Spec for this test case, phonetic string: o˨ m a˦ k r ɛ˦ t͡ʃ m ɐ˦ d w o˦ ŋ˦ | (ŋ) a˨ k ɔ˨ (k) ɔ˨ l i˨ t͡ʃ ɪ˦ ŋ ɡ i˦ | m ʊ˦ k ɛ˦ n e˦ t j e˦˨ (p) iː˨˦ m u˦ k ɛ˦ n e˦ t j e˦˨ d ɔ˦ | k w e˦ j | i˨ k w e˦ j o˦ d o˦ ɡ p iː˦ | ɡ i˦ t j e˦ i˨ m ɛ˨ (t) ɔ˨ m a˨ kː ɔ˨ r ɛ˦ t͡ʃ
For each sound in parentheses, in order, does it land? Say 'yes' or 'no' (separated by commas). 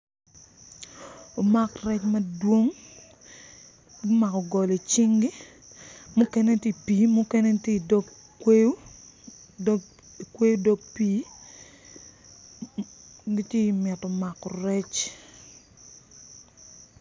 no, no, yes, yes